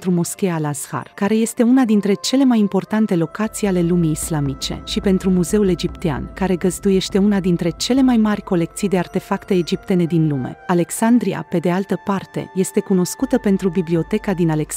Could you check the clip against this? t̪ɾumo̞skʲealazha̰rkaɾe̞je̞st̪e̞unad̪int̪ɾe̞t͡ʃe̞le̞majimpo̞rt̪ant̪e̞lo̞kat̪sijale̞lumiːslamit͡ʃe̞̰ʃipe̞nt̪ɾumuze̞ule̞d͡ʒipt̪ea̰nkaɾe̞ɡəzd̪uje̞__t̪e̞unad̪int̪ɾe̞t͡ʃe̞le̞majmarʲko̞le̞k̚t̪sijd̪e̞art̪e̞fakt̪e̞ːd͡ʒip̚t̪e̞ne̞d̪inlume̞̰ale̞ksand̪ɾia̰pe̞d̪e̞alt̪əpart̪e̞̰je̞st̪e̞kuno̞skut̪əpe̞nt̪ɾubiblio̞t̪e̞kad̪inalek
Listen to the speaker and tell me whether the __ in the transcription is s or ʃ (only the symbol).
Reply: ʃ